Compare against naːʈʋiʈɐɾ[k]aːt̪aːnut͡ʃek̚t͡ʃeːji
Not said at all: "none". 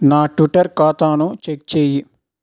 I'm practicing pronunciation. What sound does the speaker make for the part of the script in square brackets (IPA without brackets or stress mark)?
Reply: k